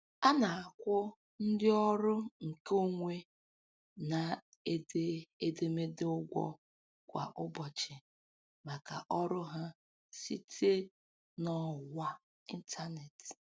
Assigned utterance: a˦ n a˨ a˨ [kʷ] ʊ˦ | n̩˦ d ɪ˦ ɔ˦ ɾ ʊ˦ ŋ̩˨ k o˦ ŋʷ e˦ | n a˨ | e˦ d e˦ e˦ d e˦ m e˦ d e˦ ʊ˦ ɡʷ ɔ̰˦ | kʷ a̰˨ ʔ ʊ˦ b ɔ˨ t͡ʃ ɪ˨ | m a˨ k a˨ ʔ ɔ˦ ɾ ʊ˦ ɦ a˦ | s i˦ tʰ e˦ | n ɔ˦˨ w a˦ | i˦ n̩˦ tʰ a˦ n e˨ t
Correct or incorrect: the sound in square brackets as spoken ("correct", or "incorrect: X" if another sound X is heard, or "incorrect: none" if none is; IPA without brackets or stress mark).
correct